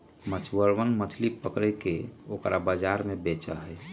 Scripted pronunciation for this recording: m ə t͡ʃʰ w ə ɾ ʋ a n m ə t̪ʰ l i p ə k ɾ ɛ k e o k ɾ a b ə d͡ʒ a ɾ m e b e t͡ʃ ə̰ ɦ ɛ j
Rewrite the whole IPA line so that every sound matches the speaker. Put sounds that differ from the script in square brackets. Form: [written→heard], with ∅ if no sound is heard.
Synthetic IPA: m ə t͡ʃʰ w ə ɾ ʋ [a→ə] n m ə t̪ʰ l i p ə k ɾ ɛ k e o k ɾ a b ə d͡ʒ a ɾ m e b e t͡ʃ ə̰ ɦ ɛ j